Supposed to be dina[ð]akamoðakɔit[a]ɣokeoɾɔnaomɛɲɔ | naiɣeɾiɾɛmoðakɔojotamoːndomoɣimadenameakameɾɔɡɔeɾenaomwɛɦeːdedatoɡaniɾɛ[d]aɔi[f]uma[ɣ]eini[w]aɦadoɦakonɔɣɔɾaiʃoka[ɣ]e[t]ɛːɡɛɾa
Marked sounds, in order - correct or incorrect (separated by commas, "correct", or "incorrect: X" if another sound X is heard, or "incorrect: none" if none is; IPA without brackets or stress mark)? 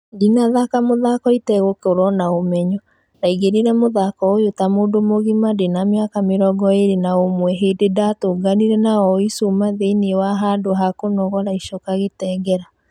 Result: correct, incorrect: ɛ, incorrect: n, incorrect: s, incorrect: ð, correct, correct, correct